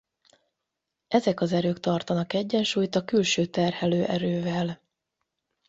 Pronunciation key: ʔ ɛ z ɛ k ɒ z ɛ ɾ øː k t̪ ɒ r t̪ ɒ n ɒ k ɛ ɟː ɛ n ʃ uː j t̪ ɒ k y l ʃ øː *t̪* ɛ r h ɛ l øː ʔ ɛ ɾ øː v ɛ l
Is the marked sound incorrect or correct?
correct